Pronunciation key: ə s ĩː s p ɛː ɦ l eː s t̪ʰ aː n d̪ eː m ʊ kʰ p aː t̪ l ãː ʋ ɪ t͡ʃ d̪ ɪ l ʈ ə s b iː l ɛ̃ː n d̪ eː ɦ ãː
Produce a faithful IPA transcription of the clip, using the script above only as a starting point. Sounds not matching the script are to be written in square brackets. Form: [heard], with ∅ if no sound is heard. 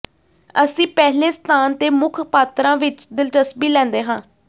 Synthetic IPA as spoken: ə s ĩː [∅] p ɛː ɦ l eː s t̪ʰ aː n [t̪] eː m ʊ kʰ p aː t̪ [ɾ] ãː ʋ ɪ t͡ʃ d̪ ɪ l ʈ ə s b iː l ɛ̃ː n d̪ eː ɦ ãː